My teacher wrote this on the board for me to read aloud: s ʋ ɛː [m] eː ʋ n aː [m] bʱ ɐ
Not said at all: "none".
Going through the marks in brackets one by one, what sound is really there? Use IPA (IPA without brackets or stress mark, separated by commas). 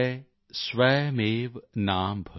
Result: m, m